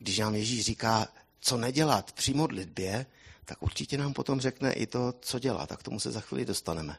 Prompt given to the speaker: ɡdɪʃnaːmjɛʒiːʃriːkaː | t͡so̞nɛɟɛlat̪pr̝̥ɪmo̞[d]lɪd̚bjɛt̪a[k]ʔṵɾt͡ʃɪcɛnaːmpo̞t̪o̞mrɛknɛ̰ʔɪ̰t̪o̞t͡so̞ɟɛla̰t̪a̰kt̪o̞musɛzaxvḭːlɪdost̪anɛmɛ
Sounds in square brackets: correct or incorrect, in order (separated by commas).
correct, correct